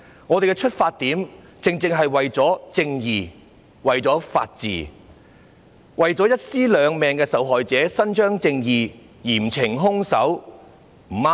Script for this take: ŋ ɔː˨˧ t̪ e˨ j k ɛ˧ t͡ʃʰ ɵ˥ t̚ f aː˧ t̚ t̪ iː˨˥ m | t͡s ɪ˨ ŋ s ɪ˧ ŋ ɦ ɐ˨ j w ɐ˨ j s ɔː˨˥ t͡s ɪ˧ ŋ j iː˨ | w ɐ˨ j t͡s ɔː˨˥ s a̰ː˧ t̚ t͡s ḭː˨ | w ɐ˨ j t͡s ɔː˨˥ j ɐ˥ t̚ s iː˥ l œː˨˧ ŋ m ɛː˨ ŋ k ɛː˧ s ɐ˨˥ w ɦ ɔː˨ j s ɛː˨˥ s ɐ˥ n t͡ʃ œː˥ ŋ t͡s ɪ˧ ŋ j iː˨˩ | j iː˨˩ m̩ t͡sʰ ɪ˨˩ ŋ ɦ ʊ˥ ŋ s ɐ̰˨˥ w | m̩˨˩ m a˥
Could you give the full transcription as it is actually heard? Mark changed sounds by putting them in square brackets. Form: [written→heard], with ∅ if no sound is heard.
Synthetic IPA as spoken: ŋ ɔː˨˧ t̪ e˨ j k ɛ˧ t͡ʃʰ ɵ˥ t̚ f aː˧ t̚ t̪ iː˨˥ m | t͡s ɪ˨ ŋ [s→t͡s] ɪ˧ ŋ ɦ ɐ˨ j w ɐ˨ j [s→t͡s] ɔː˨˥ t͡s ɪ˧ ŋ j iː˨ | w ɐ˨ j t͡s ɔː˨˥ [s→f] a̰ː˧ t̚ t͡s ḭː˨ | w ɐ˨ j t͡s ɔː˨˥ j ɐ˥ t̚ s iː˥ l œː˨˧ ŋ m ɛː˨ ŋ k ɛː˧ s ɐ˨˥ w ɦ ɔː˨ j [s→t͡s] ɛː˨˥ s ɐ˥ n t͡ʃ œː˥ ŋ t͡s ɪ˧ ŋ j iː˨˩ | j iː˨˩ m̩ t͡sʰ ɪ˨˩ ŋ ɦ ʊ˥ ŋ s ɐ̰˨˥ w | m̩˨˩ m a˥